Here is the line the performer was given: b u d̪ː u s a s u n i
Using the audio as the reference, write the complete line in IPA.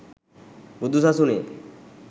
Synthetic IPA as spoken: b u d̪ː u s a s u n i